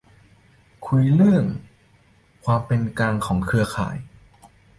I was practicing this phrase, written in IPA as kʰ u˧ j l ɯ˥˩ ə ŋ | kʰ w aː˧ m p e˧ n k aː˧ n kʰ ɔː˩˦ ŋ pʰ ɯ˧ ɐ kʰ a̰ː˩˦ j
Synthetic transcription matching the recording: kʰ u˧ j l ɯ˥˩ ə ŋ | kʰ w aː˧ m p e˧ n k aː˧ ŋ kʰ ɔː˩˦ ŋ kʰ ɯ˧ ɐ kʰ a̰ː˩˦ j